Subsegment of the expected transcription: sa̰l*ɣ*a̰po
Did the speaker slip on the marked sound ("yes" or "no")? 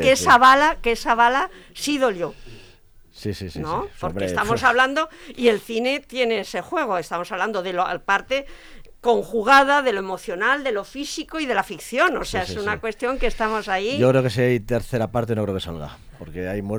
no